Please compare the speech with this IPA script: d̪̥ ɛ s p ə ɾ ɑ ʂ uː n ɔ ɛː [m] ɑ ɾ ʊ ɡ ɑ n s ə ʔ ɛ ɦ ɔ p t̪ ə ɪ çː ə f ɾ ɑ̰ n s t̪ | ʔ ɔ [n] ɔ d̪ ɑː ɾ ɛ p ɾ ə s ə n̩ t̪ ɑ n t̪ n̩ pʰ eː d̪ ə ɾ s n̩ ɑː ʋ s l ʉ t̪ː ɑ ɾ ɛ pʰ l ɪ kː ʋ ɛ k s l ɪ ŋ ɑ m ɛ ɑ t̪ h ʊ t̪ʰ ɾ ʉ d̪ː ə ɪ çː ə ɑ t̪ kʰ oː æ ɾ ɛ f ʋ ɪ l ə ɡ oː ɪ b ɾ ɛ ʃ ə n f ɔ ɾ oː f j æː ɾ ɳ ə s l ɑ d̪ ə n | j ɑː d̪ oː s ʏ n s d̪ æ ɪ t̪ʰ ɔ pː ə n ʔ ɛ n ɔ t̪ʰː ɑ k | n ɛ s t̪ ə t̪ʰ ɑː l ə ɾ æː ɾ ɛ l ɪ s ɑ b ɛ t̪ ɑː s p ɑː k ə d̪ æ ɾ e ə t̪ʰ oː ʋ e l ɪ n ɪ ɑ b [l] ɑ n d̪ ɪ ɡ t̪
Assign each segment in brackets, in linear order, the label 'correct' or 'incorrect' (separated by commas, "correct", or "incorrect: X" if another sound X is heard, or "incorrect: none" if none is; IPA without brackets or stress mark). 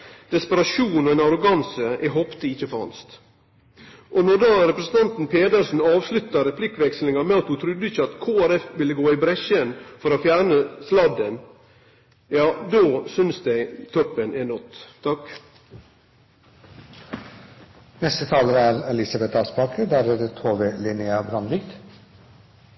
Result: incorrect: n, correct, incorrect: ɾ